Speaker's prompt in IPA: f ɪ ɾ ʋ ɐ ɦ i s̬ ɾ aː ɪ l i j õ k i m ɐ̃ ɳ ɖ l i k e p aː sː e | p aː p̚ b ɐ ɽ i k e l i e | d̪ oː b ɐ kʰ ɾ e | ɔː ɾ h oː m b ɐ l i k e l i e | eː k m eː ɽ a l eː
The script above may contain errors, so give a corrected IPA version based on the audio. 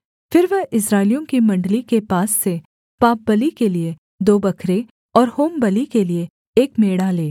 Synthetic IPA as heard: f ɪ ɾ ʋ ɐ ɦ ɪ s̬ ɾ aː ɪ l i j õ k i m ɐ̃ ɳ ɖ l i k e p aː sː e | p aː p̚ b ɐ l i k e l i e | d̪ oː b ɐ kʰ ɾ e | ɔː ɾ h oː m b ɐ l i k e l i e | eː k m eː ɽ a l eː